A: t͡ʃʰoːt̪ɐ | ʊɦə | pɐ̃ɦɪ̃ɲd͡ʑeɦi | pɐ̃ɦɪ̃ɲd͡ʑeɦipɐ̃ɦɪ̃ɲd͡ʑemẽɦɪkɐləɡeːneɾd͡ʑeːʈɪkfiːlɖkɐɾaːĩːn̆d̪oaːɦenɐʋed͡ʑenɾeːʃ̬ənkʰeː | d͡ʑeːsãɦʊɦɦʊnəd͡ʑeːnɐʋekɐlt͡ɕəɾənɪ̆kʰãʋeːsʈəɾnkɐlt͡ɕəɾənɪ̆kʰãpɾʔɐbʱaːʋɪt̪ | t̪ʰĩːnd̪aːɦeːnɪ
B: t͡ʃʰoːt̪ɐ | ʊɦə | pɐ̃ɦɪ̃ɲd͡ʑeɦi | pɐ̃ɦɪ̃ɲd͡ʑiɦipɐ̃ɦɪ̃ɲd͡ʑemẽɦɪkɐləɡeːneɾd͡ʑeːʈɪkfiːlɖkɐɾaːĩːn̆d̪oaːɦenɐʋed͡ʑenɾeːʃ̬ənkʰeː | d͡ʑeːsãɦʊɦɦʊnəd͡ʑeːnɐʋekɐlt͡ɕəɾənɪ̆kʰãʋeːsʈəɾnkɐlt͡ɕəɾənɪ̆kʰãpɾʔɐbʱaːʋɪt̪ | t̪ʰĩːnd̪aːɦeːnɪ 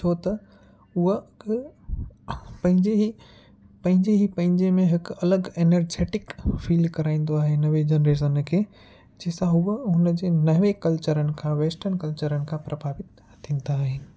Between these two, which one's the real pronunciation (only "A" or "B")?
A